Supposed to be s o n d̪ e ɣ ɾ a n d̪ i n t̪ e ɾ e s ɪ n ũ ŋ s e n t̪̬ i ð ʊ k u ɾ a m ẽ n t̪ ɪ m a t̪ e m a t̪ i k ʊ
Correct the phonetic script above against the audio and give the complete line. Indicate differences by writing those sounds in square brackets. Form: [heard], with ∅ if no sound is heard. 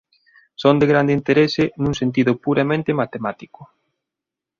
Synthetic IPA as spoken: s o n d̪ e ɣ ɾ a n d̪ i n t̪ e ɾ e s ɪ n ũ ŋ s e n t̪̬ i ð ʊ [p] u ɾ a m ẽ n t̪ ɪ m a t̪ e m a t̪ i k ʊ

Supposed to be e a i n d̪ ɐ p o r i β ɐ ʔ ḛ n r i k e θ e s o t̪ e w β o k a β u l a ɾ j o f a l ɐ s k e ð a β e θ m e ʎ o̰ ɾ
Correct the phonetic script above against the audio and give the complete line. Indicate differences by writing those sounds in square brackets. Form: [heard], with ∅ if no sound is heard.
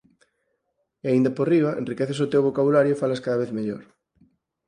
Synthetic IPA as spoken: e a i n d̪ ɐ p o r i β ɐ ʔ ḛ n r i k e θ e s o t̪ e w β o k a β u l a ɾ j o f a l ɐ s k [a] ð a β e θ m e ʎ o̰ ɾ

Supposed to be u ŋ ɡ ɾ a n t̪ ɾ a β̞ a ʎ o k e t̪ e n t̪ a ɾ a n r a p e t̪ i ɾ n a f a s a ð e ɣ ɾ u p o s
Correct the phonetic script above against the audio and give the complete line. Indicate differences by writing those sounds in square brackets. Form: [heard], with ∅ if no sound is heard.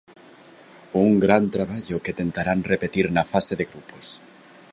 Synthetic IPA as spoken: u ŋ ɡ ɾ a n t̪ ɾ a β̞ a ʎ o k e t̪ e n t̪ a ɾ a n r [e] p e t̪ i ɾ n a f a s [e] ð e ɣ ɾ u p o s

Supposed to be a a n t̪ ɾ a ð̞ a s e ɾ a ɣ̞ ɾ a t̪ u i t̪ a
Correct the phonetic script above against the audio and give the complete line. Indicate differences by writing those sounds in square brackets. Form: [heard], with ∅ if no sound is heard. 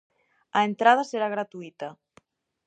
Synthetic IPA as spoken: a [e] n t̪ ɾ a ð̞ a s e ɾ a ɣ̞ ɾ a t̪ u i t̪ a

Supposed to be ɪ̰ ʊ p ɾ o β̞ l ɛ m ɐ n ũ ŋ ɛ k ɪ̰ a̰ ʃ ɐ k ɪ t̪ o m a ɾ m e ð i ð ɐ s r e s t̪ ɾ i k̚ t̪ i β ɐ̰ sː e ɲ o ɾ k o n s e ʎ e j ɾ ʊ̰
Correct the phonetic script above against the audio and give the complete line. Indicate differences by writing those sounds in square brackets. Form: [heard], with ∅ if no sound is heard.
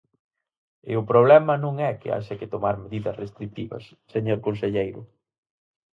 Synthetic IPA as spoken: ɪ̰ ʊ p ɾ o β̞ l ɛ m ɐ n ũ ŋ ɛ k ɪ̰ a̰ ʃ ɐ k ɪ t̪ o m a ɾ m e ð i ð ɐ s r e s t̪ ɾ i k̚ t̪ i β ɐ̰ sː e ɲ o ɾ k o n s e ʎ e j ɾ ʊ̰

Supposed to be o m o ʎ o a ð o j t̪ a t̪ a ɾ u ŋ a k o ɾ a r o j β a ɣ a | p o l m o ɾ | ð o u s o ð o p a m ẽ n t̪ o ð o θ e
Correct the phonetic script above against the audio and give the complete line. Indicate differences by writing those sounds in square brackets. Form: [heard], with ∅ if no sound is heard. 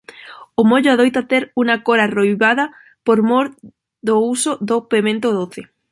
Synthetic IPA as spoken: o m o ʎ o a ð o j t̪ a t̪ [e] ɾ u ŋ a k o ɾ a r o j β a [ð] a | p o [ɾ] m o ɾ | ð o u s o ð o p [e] m ẽ n t̪ o ð o θ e

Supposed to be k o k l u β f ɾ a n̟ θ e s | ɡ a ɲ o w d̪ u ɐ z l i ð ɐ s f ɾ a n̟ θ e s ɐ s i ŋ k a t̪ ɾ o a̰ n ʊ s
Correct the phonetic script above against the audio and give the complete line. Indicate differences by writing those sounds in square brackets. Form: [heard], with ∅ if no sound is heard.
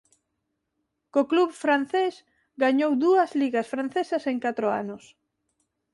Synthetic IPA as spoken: k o k l u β f ɾ a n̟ θ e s | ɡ a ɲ o w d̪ u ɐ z l i [ɣ] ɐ s f ɾ a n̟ θ e s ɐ s [e] ŋ k a t̪ ɾ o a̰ n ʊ s

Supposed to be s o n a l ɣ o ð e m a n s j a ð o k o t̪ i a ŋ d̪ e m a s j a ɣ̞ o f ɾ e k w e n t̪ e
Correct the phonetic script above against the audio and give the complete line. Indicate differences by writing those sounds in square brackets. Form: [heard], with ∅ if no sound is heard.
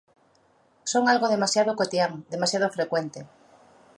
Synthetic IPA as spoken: s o [ŋ] a l ɣ o ð e m a [∅] s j a ð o k o t̪ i a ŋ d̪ e m a s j a [ð̞] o f ɾ e k w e n t̪ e

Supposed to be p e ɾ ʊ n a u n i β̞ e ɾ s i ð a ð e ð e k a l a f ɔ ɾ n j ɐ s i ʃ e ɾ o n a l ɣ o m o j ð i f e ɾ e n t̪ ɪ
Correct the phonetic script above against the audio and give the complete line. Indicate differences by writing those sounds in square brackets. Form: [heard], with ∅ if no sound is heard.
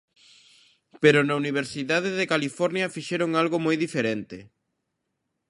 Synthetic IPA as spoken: p e ɾ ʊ n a u n i β̞ e ɾ s i ð a ð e ð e k a l [i] f ɔ ɾ n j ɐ [f] i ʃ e ɾ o [ŋ] a l ɣ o m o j ð i f e ɾ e n t̪ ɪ

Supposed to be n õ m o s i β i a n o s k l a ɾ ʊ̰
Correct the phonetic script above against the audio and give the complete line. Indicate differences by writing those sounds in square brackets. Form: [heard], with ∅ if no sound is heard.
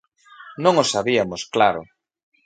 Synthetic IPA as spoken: n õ [ŋ] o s [a] β i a [m] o s k l a ɾ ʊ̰

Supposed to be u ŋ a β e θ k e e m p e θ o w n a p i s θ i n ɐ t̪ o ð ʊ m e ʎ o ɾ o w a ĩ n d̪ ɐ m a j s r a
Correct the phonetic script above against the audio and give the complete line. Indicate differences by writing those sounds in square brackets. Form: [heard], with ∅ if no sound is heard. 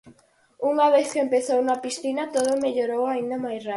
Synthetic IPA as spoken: u ŋ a β e θ k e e m p e θ o w n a p i s θ i n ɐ t̪ o ð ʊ m e ʎ o ɾ o w a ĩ n d̪ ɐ m a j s r a

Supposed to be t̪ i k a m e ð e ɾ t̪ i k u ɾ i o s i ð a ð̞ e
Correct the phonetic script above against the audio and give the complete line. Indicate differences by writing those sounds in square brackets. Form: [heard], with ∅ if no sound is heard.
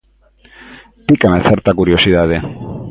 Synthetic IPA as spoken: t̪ i k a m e [θ] e ɾ t̪ [a] k u ɾ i o s i ð a ð̞ e

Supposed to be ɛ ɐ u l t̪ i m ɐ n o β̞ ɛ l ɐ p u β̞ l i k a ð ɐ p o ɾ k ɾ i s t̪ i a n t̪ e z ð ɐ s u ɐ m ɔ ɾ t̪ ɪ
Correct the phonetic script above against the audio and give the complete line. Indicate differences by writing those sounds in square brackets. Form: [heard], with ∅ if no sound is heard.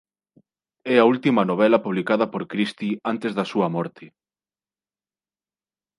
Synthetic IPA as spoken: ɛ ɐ u l t̪ i m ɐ n o β̞ ɛ l ɐ p u β̞ l i k a ð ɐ p o ɾ k ɾ i s t̪ i a n t̪ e z ð ɐ s u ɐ m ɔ ɾ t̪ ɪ

